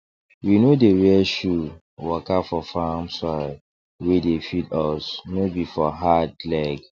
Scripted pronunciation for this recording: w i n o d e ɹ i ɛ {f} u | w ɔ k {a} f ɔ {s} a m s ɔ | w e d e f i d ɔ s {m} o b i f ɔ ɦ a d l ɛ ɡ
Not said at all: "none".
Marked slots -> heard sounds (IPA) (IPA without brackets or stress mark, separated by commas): ʃ, a, f, n